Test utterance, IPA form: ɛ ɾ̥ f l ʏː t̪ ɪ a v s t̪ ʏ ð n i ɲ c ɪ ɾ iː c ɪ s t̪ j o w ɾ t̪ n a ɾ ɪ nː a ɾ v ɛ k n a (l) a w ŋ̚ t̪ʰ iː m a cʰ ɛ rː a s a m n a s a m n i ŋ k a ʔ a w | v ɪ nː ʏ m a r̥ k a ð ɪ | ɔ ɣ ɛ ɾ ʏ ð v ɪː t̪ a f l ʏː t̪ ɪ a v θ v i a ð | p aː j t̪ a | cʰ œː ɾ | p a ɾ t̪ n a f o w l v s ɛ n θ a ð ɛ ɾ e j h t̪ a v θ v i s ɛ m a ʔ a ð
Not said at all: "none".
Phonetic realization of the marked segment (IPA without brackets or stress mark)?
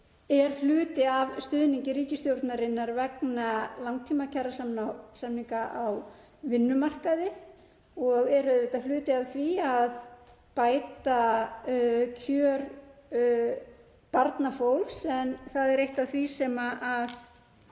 l